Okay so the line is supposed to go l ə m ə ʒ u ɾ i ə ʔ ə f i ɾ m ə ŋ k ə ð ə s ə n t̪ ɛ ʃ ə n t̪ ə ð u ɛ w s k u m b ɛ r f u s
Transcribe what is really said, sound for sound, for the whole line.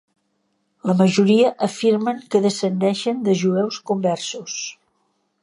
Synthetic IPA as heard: l ə m ə ʒ u ɾ i ə ʔ ə f i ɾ m ə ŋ k ə ð ə s ə n d̪ ɛ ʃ ə n d̪ ə ʒ u ɛ w s k u m b ɛ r s u s